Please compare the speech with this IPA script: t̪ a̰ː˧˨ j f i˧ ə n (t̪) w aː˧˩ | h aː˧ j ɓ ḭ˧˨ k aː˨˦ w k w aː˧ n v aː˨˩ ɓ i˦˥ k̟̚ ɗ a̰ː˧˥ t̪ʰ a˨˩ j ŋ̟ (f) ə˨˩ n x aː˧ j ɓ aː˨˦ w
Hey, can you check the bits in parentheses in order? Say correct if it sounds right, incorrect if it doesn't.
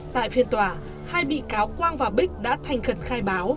correct, incorrect: x

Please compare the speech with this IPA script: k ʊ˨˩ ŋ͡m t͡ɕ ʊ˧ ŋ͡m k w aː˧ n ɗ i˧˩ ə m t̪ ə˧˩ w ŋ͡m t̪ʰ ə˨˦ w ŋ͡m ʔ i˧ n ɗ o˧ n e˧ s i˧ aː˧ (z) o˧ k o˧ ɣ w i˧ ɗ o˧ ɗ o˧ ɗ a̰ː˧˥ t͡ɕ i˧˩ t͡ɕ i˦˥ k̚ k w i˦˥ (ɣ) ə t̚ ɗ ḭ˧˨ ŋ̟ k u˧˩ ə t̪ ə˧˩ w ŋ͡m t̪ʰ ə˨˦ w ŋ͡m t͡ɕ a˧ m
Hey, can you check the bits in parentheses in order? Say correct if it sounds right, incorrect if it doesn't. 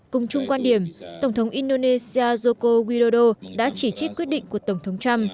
correct, incorrect: none

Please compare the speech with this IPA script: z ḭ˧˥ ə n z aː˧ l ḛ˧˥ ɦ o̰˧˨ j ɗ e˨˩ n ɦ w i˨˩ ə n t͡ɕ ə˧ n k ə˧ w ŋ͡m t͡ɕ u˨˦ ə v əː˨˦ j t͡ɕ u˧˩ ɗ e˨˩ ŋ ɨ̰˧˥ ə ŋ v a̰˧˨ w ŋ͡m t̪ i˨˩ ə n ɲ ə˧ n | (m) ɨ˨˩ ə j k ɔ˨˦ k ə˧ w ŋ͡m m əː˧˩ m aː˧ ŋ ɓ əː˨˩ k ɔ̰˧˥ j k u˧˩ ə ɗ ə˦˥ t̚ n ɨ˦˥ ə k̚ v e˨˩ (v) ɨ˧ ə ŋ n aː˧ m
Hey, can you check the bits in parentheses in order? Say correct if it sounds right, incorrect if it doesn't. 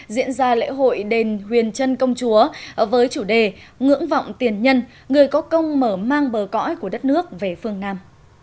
incorrect: ŋ, incorrect: f

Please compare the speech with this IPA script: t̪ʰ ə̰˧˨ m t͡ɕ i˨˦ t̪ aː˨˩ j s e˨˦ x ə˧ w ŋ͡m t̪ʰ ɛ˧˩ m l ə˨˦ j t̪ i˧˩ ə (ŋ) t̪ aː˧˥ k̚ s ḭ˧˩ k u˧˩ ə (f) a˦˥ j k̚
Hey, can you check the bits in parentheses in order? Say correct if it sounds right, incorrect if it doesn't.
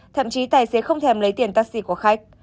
incorrect: n, incorrect: x

